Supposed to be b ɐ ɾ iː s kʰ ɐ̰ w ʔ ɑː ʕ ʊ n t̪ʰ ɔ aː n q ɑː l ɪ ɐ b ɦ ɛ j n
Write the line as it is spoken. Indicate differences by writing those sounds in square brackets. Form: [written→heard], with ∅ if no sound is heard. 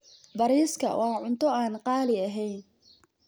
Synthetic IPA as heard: b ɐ ɾ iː s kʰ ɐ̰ w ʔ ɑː ʕ ʊ n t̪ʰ ɔ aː n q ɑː l ɪ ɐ [b→∅] ɦ ɛ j n